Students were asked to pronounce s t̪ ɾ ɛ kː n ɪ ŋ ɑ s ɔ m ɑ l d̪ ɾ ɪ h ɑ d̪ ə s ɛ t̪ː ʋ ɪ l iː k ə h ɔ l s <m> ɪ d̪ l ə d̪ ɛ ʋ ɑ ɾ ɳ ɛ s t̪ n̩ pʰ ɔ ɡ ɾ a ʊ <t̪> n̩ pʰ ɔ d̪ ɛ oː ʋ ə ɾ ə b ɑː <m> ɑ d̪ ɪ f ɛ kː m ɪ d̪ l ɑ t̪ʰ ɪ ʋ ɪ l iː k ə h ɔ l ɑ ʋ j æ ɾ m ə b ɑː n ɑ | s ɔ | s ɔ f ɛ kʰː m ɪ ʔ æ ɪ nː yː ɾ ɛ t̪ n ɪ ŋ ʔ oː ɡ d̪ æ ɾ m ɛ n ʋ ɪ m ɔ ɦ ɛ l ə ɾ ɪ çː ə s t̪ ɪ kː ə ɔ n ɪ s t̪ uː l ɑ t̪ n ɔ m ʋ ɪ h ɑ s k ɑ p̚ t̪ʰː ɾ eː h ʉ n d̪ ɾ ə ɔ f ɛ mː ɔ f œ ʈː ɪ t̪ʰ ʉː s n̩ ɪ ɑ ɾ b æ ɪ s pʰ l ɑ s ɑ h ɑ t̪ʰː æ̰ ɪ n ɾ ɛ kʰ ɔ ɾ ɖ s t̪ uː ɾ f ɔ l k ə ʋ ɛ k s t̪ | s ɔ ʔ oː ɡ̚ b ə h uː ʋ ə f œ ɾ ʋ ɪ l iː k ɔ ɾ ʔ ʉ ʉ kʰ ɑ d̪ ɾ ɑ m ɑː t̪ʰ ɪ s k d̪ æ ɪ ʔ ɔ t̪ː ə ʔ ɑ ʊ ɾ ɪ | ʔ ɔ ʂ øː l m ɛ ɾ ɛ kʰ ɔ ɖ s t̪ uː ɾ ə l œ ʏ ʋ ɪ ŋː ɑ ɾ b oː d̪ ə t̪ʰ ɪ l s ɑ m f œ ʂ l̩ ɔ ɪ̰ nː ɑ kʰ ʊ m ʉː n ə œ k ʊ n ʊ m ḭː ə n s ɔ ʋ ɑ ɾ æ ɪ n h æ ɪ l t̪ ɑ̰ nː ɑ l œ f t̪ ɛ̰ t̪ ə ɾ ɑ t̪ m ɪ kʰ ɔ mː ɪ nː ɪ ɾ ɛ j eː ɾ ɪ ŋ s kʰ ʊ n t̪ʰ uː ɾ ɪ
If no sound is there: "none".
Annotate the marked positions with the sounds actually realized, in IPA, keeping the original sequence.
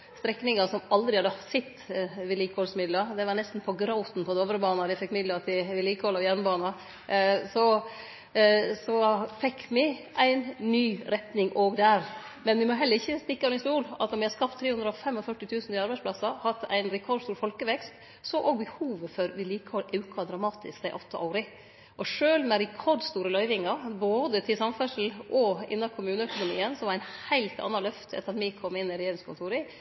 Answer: m, t̪, n

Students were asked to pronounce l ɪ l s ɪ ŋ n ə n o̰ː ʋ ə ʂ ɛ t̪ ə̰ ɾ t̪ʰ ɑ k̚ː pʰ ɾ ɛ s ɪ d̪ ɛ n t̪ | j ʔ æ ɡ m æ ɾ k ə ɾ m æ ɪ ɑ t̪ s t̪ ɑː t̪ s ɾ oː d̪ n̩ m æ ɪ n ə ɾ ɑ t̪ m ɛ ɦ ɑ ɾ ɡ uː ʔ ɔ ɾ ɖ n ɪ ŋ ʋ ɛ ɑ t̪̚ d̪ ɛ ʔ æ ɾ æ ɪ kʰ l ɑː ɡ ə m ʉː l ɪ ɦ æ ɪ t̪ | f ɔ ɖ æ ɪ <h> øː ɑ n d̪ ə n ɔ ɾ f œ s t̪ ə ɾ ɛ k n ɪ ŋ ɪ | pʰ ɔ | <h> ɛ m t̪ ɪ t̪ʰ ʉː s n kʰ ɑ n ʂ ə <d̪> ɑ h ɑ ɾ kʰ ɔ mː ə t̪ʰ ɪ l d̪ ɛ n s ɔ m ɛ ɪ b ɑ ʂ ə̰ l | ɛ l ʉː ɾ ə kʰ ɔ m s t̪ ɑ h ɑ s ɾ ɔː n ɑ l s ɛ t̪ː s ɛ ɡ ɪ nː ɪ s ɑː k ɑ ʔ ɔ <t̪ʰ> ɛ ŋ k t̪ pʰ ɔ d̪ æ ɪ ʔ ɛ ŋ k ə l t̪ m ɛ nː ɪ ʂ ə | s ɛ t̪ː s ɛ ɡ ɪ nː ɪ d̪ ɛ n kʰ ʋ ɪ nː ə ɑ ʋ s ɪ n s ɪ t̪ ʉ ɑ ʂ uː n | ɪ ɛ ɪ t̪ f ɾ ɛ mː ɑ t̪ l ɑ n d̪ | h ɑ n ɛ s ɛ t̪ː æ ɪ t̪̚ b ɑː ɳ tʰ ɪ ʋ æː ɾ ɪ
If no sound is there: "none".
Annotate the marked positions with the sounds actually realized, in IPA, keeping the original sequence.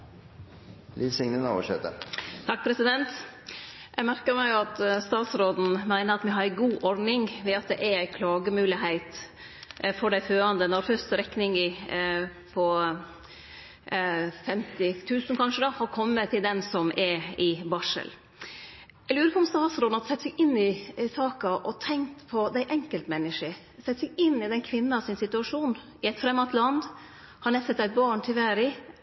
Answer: f, f, d̪, t̪ʰ

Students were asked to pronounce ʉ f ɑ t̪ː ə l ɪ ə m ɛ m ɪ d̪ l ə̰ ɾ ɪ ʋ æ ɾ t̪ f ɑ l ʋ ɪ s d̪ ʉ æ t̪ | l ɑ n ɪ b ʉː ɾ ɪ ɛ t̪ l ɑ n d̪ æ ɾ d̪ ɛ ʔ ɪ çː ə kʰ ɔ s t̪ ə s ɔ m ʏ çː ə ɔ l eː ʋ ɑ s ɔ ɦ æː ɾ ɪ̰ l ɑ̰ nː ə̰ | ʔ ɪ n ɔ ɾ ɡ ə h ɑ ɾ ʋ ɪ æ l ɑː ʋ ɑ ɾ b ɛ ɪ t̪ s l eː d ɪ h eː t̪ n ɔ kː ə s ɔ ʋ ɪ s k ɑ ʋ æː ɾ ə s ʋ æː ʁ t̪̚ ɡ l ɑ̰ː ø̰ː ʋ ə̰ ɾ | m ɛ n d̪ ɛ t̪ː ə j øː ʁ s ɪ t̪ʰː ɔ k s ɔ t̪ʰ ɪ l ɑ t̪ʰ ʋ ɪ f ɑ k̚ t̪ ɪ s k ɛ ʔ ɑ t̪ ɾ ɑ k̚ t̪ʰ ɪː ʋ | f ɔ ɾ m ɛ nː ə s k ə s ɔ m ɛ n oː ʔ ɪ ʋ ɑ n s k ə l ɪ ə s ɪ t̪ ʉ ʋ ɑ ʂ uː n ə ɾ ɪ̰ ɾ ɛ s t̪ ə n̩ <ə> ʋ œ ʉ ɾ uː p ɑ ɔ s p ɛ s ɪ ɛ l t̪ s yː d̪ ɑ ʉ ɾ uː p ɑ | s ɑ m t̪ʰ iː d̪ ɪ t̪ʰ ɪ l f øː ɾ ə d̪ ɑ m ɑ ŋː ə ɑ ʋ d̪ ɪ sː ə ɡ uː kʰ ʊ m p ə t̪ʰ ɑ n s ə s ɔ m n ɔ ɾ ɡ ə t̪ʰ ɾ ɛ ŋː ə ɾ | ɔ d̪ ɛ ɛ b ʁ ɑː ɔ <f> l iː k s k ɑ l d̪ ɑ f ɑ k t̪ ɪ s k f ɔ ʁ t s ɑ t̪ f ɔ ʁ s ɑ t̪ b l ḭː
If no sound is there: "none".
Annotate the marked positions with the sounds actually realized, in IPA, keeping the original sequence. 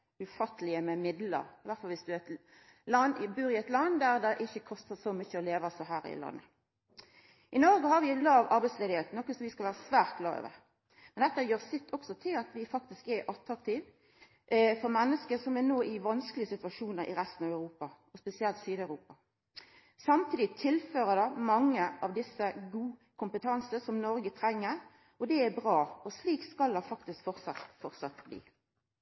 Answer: ɑ, s

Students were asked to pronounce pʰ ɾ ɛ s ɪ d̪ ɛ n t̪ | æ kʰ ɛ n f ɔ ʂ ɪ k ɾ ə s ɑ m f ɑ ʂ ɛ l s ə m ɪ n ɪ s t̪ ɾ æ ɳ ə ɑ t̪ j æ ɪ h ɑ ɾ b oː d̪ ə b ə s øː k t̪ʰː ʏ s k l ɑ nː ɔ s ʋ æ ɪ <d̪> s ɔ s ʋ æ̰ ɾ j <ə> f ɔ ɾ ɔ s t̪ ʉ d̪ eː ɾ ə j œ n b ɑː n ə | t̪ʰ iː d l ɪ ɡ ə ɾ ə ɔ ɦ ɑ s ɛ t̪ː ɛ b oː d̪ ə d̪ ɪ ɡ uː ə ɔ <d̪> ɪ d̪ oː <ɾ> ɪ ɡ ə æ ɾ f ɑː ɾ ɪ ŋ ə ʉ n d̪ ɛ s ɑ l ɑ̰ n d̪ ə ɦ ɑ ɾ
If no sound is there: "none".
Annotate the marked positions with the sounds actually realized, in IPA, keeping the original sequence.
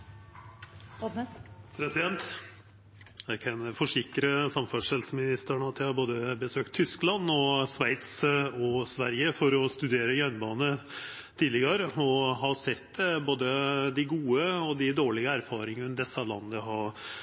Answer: t̪, ə, d̪, ɭ

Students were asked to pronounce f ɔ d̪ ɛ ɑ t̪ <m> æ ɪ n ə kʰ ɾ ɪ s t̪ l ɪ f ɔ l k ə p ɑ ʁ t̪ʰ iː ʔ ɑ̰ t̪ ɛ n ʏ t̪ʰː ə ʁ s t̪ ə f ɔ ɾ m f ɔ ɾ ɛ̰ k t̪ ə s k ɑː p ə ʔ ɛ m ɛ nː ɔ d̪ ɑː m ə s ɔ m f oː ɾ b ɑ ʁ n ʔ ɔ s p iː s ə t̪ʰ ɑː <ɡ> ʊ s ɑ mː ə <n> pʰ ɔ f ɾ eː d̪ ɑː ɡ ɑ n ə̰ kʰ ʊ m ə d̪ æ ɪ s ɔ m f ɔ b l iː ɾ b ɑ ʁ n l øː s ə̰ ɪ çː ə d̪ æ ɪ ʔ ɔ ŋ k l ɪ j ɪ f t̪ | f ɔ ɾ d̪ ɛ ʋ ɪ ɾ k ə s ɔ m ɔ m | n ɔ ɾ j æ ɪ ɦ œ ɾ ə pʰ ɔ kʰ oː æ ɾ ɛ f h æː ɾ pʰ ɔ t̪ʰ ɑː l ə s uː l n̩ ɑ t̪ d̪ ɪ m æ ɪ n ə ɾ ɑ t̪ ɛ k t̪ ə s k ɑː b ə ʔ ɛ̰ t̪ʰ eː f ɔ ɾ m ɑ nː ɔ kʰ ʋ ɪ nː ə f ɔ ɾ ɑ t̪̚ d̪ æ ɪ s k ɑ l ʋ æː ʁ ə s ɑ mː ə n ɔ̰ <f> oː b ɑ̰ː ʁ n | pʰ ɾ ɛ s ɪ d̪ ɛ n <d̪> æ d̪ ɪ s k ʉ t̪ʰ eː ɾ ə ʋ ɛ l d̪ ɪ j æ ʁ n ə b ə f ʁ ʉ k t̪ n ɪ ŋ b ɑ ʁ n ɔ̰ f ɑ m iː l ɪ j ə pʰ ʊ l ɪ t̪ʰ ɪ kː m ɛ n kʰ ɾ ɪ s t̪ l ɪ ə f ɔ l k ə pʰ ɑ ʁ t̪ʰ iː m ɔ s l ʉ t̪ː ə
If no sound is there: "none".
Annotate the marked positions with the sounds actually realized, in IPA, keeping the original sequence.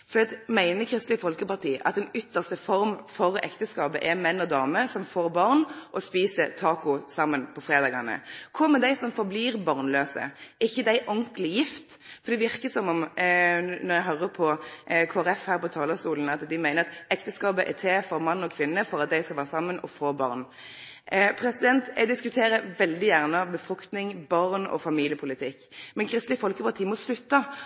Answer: m, k, n, f, t̪

